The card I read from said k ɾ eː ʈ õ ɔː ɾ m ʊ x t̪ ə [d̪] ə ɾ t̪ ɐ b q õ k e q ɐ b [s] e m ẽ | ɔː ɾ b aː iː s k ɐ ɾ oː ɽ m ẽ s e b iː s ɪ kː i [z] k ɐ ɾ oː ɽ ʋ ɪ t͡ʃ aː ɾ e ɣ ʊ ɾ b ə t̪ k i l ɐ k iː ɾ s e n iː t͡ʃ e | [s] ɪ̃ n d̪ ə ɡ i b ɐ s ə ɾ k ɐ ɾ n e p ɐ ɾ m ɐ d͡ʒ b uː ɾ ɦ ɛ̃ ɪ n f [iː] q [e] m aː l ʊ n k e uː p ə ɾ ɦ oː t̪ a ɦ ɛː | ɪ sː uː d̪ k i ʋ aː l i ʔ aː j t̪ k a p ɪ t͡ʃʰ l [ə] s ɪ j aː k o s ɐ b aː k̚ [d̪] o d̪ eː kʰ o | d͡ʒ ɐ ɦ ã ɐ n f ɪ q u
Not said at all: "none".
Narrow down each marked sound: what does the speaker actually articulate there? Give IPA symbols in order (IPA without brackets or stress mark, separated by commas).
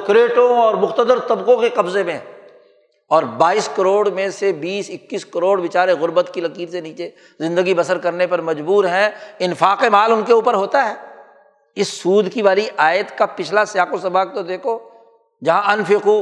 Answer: d̪, z, s, z, aː, e, a, t̪